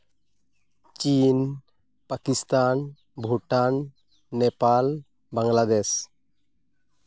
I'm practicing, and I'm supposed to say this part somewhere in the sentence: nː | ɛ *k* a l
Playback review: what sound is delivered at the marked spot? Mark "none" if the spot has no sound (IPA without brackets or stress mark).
p